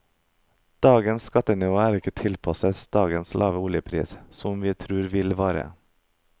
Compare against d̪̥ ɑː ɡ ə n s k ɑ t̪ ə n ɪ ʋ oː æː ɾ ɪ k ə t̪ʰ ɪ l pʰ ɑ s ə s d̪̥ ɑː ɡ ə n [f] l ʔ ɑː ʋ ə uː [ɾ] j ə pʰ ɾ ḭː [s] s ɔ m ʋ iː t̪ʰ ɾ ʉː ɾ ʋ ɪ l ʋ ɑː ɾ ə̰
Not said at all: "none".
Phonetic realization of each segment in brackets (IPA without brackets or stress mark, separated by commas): s, l, s